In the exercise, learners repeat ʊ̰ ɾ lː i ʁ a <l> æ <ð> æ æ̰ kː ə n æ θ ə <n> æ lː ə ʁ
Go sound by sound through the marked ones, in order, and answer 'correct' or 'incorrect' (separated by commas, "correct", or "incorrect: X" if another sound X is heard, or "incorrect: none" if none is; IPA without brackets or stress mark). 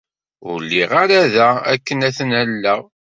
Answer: incorrect: ɾ, correct, correct